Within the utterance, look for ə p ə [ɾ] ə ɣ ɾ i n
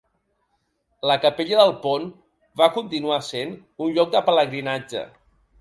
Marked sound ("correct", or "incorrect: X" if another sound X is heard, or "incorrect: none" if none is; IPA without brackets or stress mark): incorrect: l